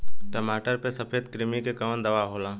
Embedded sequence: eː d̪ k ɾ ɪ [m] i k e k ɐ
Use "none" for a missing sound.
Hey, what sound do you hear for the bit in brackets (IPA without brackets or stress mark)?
m